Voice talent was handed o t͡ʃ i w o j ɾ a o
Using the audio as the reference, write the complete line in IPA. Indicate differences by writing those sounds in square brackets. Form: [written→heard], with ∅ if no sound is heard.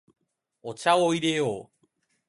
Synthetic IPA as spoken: o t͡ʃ [i→a] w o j ɾ [a→e] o